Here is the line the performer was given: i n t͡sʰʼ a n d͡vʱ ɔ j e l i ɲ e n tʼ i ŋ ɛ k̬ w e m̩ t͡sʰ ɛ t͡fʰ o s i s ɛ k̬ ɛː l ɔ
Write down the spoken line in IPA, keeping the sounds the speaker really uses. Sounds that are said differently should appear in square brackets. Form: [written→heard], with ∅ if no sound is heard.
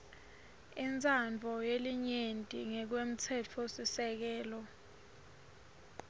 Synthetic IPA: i n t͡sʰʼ a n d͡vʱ ɔ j e l i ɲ e n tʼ i ŋ ɛ k̬ w e m̩ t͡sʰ ɛ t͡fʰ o s i s ɛ k̬ ɛː l ɔ